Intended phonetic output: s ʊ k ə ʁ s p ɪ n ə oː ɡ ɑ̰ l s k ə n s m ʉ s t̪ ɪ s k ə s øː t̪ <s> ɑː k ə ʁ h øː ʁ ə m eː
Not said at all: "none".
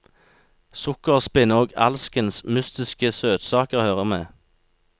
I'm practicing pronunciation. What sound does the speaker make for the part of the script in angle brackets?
s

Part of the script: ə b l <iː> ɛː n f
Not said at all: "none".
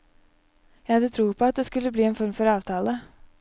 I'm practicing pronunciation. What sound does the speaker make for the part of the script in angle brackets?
iː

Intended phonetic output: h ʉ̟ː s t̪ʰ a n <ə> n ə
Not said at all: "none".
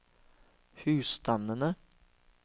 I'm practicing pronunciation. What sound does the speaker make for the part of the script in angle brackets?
ə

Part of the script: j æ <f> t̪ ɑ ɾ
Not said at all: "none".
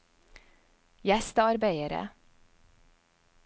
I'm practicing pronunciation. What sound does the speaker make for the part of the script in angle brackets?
s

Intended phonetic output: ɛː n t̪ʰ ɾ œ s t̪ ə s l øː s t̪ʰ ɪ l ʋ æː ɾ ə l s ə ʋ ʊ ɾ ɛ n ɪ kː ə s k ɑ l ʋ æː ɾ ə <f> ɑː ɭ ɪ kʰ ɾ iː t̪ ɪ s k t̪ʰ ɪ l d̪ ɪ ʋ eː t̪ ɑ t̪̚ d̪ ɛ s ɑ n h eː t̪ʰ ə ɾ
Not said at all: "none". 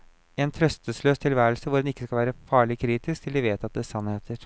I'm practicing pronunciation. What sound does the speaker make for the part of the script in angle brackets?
f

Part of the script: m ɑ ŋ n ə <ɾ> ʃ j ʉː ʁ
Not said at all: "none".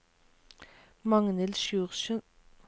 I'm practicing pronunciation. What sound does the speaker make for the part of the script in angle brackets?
l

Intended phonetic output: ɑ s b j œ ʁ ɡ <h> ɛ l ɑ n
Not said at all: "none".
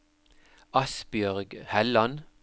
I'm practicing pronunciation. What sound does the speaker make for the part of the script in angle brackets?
h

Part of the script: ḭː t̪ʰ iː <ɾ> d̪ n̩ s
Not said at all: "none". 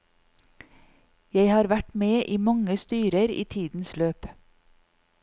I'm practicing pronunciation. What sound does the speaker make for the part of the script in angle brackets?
none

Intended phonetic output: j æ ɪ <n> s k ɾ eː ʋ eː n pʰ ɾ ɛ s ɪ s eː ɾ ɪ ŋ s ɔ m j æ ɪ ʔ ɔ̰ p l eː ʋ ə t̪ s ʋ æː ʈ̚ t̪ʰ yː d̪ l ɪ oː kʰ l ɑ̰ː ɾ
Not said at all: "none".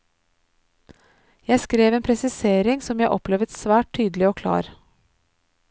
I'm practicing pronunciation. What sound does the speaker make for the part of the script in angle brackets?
none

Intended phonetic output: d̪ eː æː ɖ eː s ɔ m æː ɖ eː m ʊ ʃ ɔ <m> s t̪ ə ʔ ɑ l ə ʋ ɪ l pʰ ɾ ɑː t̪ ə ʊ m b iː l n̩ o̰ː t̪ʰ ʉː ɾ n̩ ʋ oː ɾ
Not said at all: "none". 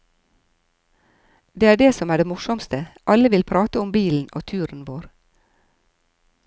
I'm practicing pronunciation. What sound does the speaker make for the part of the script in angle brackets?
m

